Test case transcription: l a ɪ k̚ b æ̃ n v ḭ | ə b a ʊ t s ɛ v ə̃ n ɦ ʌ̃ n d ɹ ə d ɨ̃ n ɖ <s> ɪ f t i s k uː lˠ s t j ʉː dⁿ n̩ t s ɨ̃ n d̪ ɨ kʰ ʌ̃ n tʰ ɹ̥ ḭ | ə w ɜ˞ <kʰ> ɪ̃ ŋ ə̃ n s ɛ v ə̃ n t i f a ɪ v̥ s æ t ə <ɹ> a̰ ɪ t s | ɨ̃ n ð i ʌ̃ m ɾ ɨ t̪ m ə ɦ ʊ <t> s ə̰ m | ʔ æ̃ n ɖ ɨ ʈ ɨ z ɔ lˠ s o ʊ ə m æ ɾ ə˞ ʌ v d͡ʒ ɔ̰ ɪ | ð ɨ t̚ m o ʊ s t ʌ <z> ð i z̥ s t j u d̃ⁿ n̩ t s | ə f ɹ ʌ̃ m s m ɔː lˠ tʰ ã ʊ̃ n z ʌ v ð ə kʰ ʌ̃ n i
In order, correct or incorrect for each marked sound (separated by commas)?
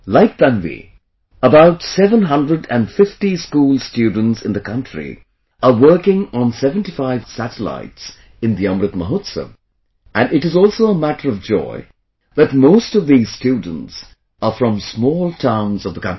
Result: incorrect, incorrect, incorrect, correct, incorrect